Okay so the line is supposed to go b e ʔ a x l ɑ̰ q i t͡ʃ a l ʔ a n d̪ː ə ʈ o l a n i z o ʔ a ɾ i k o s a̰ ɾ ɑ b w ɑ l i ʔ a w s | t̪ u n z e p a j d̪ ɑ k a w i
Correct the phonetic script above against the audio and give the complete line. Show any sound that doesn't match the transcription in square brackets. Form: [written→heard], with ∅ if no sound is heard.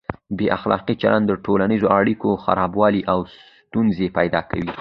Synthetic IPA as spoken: b e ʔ a x l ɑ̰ q i t͡ʃ a l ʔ a n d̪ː ə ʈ o l a n i z o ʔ a [ɾ→ɽ] i k o [s→x] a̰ ɾ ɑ b w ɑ l i ʔ a w s | t̪ u n z e p a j d̪ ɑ k a w i